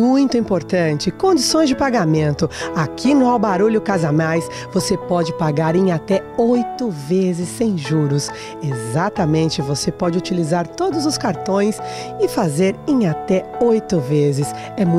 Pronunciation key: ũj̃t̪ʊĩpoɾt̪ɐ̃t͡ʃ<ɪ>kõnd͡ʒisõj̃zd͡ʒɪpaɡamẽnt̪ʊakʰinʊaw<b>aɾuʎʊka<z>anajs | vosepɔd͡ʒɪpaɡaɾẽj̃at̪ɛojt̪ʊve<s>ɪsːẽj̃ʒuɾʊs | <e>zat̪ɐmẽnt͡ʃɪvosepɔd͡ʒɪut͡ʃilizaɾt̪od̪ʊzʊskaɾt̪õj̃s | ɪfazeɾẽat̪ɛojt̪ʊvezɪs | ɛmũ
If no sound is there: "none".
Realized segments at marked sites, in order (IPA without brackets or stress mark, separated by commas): ɪ, b, z, z, e